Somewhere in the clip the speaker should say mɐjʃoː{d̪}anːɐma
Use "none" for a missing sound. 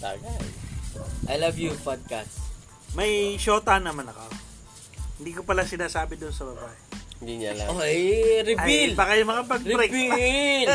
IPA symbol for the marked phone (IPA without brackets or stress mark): t̪